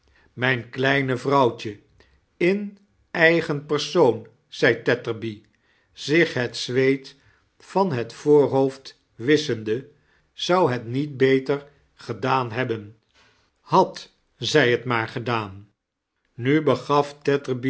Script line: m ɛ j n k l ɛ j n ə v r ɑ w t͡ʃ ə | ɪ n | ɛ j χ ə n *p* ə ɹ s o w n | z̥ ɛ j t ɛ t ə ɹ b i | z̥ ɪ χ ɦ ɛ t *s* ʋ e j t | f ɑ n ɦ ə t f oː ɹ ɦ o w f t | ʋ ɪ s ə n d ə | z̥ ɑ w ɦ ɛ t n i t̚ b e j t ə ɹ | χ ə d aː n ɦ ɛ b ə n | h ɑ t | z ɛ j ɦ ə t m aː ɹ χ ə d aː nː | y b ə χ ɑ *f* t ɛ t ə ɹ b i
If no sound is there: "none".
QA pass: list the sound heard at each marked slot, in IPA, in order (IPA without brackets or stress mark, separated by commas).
p, s, f